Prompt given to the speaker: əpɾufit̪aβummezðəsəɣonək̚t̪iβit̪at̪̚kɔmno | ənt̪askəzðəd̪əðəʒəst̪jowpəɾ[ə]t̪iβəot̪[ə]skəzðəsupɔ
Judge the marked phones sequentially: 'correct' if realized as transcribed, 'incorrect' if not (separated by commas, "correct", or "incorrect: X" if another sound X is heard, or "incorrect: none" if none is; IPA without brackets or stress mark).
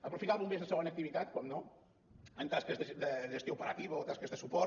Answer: incorrect: a, incorrect: a